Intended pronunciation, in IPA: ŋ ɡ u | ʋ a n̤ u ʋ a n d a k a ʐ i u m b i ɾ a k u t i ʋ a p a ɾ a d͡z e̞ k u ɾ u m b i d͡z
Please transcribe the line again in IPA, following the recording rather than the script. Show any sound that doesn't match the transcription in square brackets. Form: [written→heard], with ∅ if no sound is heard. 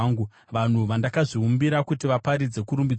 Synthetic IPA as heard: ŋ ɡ u | ʋ a n̤ u ʋ a n d a k a ʐ i u m b i ɾ a k u t i ʋ a p a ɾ [a→i] d͡z e̞ k u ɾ u m b i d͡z

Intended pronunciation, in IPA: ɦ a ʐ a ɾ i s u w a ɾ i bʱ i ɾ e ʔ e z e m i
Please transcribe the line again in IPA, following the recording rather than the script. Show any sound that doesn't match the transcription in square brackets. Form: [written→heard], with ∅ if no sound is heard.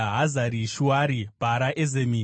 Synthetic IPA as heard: ɦ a [ʐ→z] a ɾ i [s→ʃ] u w a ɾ i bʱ [i→a] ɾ [e→a] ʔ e z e m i

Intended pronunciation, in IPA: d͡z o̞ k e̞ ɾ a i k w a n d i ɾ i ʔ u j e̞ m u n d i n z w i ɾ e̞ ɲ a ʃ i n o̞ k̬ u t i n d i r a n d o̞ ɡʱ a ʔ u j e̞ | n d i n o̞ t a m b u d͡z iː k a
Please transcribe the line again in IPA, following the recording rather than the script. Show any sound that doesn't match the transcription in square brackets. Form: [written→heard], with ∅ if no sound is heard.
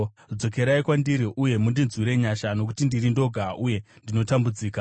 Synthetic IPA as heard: d͡z o̞ k e̞ ɾ a i k w a n d i ɾ i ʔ u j e̞ m u n d i n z w i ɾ e̞ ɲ a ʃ [i→a] n o̞ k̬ u t i n d i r [a→i] n d o̞ ɡʱ a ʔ u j e̞ | n d i n o̞ t a m b u d͡z iː k a

